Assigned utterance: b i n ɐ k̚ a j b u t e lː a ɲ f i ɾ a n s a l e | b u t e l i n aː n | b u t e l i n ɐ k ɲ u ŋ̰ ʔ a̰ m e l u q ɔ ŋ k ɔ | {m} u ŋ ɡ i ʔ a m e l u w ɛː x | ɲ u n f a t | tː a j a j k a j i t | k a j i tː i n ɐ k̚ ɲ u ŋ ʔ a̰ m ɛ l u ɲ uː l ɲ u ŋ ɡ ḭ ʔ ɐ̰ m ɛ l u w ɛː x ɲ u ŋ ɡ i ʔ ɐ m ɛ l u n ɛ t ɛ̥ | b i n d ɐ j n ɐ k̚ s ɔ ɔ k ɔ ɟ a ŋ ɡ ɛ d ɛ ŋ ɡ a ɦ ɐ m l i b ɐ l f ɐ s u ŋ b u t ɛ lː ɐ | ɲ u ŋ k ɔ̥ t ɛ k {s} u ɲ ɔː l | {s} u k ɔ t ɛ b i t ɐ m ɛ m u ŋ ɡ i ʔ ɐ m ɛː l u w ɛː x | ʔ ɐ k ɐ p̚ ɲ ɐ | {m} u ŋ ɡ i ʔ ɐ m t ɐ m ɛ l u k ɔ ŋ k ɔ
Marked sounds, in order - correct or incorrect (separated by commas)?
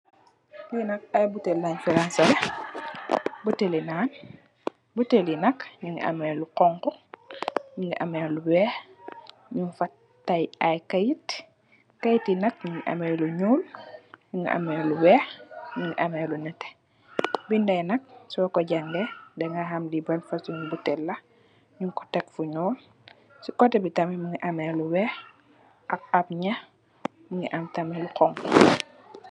incorrect, incorrect, correct, correct